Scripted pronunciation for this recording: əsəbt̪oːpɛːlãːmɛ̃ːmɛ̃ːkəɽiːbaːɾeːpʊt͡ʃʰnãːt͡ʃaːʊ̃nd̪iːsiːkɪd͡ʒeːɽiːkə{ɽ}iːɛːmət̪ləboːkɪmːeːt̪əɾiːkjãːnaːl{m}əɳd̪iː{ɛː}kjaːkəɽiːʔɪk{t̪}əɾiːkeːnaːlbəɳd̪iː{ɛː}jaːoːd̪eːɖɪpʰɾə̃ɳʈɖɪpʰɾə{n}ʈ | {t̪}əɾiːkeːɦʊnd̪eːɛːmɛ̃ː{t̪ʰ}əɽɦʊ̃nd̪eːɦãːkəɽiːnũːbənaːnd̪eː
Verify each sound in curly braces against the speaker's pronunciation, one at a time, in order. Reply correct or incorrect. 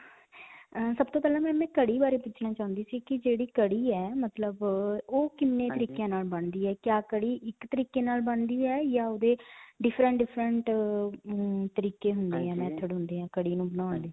correct, incorrect, correct, correct, correct, incorrect, correct, correct

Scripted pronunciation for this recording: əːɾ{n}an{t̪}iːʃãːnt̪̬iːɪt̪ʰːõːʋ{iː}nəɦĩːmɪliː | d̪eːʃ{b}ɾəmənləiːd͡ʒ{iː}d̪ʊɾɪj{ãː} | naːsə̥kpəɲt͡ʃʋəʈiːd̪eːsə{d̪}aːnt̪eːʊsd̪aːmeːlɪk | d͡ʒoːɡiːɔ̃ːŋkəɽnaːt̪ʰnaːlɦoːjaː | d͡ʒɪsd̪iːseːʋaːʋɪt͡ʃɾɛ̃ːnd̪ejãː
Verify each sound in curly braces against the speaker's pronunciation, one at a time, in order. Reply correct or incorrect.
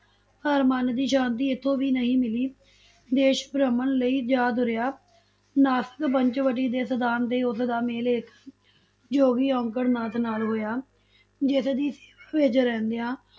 incorrect, incorrect, correct, correct, incorrect, incorrect, correct

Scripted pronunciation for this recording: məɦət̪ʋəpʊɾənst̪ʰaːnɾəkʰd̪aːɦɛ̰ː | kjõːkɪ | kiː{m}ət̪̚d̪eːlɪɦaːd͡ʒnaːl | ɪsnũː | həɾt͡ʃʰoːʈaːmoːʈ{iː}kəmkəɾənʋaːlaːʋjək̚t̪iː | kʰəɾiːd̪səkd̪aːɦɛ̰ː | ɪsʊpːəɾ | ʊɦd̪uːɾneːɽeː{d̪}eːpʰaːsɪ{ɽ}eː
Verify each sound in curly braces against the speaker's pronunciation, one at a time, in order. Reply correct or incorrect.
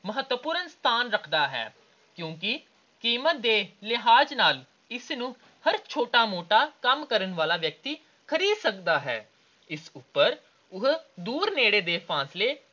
correct, incorrect, correct, incorrect

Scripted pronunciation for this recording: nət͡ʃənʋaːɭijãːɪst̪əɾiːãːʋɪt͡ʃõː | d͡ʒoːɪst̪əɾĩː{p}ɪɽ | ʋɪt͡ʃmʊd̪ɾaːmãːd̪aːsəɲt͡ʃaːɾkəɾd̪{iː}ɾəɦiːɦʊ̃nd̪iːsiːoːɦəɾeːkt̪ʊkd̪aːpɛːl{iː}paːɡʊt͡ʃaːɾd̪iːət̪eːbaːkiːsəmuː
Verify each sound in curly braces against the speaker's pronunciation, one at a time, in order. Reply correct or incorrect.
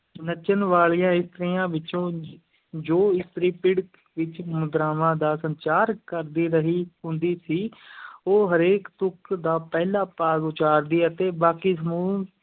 correct, correct, incorrect

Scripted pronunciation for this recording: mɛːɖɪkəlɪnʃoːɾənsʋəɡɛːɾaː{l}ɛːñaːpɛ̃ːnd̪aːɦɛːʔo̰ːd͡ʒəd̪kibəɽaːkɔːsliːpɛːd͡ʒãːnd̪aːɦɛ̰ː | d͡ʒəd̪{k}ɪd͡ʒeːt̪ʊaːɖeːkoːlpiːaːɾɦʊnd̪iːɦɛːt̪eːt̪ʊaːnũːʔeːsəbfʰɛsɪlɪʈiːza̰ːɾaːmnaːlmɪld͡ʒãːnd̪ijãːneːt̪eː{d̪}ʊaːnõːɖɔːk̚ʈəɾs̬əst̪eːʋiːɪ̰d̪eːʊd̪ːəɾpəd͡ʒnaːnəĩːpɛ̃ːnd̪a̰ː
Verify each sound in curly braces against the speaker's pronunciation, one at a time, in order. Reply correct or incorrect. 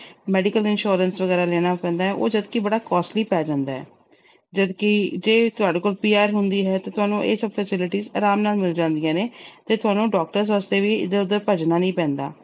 correct, correct, incorrect

